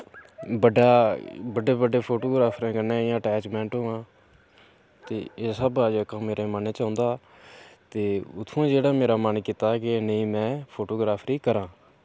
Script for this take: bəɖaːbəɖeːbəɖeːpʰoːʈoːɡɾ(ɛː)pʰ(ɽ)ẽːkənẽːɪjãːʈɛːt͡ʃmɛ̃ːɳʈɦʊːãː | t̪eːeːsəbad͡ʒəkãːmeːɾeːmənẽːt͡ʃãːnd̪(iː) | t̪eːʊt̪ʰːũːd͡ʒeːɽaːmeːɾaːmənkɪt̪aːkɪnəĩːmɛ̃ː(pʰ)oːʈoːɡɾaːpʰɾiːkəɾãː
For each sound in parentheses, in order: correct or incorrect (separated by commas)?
incorrect, incorrect, incorrect, correct